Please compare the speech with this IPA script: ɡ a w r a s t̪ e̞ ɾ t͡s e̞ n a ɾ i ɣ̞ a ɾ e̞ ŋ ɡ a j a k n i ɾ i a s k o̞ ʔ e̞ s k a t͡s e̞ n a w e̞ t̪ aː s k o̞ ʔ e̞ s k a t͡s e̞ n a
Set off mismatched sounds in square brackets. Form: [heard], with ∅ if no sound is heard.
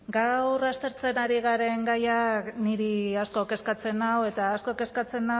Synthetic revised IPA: ɡ a w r a s t̪ e̞ ɾ t͡s e̞ n a ɾ i ɣ̞ a ɾ e̞ ŋ ɡ a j a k n i ɾ i a s k o̞ [k] e̞ s k a t͡s e̞ n a w e̞ t̪ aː s k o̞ [k] e̞ s k a t͡s e̞ n a